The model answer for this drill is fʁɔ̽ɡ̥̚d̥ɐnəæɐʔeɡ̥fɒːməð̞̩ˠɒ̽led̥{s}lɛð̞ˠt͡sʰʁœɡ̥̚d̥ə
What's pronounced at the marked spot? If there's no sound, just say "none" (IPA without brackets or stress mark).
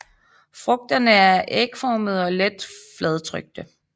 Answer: f